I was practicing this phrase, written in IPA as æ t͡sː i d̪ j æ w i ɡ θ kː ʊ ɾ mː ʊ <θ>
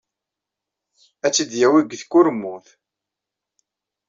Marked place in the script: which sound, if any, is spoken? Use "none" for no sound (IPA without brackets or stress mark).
θ